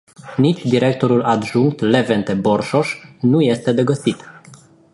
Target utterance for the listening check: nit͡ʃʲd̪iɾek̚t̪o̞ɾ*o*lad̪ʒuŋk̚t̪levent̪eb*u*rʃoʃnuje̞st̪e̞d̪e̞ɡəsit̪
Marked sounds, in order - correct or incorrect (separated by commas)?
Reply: incorrect, incorrect